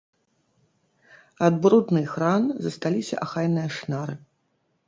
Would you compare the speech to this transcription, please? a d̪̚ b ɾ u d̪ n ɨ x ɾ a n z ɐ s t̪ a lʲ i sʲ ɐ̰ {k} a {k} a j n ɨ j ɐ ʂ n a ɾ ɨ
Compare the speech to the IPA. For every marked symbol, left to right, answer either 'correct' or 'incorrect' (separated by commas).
incorrect, incorrect